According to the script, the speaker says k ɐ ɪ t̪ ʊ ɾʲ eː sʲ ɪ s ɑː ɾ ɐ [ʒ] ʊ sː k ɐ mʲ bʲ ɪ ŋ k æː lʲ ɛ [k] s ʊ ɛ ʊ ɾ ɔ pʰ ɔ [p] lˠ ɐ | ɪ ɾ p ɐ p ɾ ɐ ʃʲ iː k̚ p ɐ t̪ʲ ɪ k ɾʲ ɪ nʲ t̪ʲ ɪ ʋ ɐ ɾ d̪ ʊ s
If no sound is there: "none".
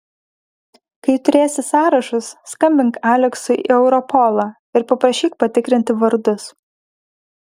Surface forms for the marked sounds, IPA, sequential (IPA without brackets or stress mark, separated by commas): ʃ, k, none